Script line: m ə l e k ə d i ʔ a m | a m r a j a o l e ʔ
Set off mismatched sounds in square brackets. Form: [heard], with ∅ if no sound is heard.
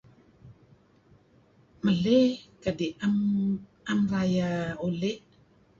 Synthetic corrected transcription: m ə l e k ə d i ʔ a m | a m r a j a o l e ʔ